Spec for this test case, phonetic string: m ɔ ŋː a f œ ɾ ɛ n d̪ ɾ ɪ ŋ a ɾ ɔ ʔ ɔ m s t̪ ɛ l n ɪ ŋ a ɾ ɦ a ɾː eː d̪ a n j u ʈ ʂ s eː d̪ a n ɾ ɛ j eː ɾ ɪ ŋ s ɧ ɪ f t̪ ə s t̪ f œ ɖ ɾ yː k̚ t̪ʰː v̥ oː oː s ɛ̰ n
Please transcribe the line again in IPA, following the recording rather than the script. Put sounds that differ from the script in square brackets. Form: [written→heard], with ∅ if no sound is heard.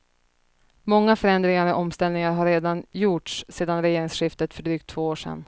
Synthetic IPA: m ɔ ŋː a f œ ɾ ɛ n d̪ ɾ ɪ ŋ a ɾ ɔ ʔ ɔ m s t̪ ɛ l n ɪ ŋ a ɾ ɦ a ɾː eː d̪ a n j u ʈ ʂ s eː d̪ a n ɾ ɛ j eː ɾ ɪ ŋ s ɧ ɪ f t̪ ə [s→∅] t̪ f œ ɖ ɾ yː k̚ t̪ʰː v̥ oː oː [s→ʂ] ɛ̰ n